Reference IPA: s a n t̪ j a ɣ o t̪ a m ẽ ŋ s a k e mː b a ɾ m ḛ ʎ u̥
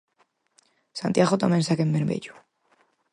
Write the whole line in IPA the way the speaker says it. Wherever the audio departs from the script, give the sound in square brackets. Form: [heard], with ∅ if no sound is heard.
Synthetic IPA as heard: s a n t̪ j a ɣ o t̪ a m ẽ [n] s a k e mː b [e] ɾ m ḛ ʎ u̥